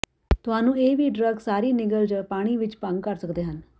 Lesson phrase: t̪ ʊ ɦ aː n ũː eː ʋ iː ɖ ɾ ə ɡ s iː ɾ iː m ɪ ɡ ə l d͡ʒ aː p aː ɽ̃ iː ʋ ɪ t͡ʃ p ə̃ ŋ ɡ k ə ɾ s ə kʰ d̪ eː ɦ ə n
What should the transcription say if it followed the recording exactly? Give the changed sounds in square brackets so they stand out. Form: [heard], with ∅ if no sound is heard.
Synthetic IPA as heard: t̪ ʊ ɦ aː n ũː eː ʋ iː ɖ ɾ ə ɡ s [aː] ɾ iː [n] ɪ ɡ ə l d͡ʒ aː p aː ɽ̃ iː ʋ ɪ t͡ʃ p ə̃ ŋ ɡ k ə ɾ s ə [k] d̪ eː ɦ ə n